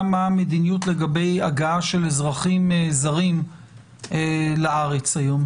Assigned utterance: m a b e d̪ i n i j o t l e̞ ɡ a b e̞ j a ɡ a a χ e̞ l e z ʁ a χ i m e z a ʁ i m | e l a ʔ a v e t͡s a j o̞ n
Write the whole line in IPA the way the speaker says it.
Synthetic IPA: m a m e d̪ i n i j u t l e̞ ɡ a b e̞ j a ɡ a a ʃ e̞ l e z ʁ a χ i m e z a ʁ i m | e l a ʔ a ʁ e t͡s a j o̞ m